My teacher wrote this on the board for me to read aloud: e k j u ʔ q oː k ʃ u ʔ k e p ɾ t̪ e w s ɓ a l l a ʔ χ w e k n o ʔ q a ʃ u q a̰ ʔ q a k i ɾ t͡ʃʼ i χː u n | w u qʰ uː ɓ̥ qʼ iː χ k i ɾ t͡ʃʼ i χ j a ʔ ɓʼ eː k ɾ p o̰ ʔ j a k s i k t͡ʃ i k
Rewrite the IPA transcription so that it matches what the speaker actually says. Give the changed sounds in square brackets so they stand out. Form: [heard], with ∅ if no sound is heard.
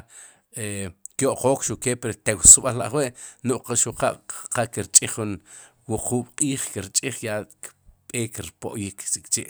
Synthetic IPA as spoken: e k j [o] ʔ q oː k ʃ u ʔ k e p ɾ t̪ e w s ɓ a l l a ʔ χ w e [ʔ] n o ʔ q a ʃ u q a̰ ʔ q a k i ɾ t͡ʃʼ i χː u n | w u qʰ uː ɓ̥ qʼ iː χ k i ɾ t͡ʃʼ i χ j a [k] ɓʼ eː k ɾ p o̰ ʔ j [i] k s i k t͡ʃ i [ʔ]